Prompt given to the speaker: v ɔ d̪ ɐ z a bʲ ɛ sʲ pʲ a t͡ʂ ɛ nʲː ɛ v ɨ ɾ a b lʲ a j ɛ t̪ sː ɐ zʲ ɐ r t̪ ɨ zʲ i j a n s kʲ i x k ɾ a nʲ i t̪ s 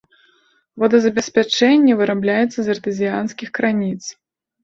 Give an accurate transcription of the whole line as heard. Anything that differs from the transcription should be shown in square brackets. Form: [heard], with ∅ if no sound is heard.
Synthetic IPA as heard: v ɔ d̪ ɐ z [ɐ] bʲ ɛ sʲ pʲ a t͡ʂ ɛ nʲː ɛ v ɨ ɾ a b lʲ a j ɛ t̪ sː ɐ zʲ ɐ r t̪ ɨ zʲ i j a n s kʲ i x k ɾ a nʲ i t̪ s

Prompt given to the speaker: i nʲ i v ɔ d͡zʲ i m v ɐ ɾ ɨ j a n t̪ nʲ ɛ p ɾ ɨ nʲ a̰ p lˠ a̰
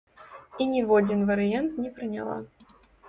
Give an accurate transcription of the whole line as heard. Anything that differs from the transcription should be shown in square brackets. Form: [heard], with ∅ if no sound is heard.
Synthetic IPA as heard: i nʲ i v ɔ d͡zʲ i [n] v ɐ ɾ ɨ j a n t̪ nʲ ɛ p ɾ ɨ nʲ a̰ [∅] lˠ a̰

